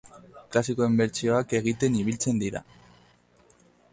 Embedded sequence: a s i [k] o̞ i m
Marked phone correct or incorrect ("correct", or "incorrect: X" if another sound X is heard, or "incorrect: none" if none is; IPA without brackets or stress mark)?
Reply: correct